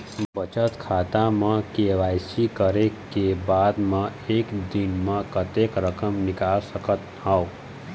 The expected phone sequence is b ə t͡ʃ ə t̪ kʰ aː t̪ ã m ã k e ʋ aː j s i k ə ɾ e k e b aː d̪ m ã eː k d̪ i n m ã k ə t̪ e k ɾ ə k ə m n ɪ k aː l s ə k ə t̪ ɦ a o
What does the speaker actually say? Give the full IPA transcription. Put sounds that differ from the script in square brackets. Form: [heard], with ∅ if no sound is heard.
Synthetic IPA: b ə t͡ʃ ə t̪ kʰ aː t̪ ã m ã k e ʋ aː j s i k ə ɾ e k e b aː d̪ m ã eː k d̪ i n m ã k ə t̪ e k ɾ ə k ə m n ɪ k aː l s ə k ə t̪ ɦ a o